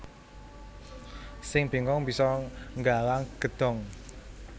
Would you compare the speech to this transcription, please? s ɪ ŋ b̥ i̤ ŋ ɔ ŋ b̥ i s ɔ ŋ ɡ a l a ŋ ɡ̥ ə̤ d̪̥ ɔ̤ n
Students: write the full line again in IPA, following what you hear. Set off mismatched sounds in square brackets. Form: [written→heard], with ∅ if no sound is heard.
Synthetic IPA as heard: s ɪ ŋ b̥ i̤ ŋ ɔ ŋ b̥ i s ɔ ŋ ɡ a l a ŋ ɡ̥ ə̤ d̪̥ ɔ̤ [n→ŋ]